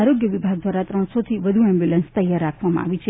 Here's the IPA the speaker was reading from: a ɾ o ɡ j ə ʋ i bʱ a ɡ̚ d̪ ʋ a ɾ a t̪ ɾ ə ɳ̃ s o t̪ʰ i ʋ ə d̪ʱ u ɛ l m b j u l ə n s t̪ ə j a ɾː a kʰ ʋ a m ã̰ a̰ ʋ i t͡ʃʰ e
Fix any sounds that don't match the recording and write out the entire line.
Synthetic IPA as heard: a ɾ o ɡ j ə ʋ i bʱ a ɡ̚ d̪ ʋ a ɾ a t̪ ɾ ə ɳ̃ s o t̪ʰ i ʋ ə d̪ʱ u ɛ m b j u l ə n s t̪ ə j a ɾː a kʰ ʋ a m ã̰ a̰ ʋ i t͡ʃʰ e